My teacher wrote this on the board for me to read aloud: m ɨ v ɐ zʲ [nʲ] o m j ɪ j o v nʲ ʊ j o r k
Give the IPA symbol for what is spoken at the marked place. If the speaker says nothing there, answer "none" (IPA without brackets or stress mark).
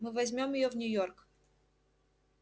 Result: mʲ